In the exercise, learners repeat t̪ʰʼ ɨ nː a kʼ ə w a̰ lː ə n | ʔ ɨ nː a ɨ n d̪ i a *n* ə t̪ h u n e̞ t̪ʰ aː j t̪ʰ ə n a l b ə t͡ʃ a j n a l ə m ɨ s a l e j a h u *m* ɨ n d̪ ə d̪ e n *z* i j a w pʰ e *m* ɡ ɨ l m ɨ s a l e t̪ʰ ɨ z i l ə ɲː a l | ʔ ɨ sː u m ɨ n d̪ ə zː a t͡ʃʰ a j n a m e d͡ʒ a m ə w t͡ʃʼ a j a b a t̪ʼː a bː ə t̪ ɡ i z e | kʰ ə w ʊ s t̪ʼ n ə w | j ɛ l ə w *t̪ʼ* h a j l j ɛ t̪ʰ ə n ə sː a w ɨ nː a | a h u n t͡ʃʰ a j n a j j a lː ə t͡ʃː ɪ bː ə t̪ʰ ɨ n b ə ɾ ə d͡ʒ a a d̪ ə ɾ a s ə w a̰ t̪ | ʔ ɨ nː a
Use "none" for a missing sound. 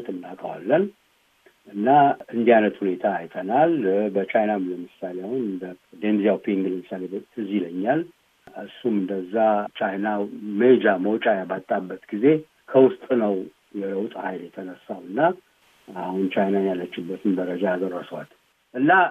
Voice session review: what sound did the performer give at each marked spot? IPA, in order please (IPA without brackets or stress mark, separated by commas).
n, n, z, ŋ, t̪ʼ